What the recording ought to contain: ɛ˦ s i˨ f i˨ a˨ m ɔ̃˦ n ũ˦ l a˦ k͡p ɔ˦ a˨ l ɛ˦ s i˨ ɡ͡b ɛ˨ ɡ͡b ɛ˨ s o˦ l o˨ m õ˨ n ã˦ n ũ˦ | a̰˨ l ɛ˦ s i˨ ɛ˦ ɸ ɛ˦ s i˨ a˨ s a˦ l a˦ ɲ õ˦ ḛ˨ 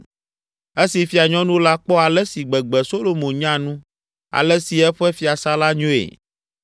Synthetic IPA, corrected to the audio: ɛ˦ s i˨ f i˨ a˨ ɲ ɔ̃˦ n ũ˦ l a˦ k͡p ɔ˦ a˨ l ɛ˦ s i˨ ɡ͡b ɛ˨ ɡ͡b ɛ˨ s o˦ l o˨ m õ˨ ɲ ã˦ n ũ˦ | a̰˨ l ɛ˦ s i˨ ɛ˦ ɸ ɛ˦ f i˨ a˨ s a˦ l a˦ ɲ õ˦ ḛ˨